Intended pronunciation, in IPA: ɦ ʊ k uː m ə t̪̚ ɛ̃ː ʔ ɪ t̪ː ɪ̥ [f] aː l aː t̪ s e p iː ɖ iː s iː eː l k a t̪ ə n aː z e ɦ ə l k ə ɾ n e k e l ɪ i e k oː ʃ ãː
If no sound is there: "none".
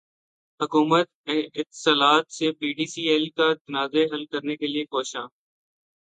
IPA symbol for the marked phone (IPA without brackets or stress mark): s